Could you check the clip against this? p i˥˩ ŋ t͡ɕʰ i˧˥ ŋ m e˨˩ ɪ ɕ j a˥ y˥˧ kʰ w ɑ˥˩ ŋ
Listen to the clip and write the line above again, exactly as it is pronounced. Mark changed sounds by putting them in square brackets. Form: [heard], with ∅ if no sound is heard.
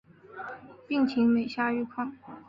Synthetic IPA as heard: p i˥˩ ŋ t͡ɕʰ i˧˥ ŋ m e˨˩ ɪ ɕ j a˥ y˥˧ kʰ w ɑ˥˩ ŋ